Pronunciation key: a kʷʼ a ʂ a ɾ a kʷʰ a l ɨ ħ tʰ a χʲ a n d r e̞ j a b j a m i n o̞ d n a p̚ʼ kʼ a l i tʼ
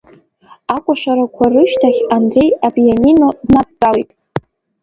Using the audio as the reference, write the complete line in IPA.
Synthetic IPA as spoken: a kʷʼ a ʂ a ɾ a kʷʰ a r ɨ ʃ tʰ a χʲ a n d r e̞ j a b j a n i n o̞ d n a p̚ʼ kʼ a l i tʼ